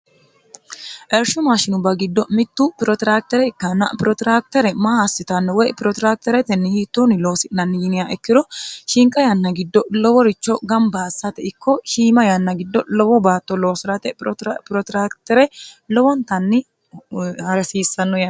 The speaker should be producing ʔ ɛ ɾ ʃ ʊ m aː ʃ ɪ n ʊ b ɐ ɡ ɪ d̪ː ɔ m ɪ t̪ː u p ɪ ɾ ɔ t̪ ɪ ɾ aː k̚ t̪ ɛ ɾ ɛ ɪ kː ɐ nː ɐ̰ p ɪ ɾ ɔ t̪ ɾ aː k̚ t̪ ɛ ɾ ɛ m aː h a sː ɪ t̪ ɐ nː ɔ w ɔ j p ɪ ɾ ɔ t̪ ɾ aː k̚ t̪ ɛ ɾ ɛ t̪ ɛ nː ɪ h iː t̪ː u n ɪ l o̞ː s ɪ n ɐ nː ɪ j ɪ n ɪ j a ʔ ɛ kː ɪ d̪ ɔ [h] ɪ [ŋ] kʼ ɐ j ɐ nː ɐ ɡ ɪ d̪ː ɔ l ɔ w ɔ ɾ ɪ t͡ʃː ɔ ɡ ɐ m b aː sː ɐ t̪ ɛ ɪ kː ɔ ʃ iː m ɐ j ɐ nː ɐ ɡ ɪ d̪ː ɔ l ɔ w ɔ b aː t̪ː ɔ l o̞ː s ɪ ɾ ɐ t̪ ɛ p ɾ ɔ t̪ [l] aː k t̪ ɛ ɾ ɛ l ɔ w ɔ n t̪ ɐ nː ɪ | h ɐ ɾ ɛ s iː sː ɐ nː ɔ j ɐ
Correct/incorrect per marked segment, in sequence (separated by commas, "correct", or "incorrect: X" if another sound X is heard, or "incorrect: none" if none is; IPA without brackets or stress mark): incorrect: ʃ, correct, incorrect: ɾ